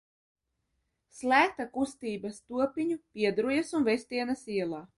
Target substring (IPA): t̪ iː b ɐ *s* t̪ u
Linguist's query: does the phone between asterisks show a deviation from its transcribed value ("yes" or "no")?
no